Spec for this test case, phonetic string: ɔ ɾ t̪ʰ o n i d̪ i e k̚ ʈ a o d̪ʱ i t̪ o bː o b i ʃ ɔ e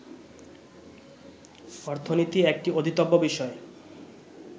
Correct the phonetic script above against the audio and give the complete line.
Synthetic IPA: ɔ ɾ t̪ʰ o n i t̪ i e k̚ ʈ i o d̪ʱ i t̪ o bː o b i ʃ ɔ e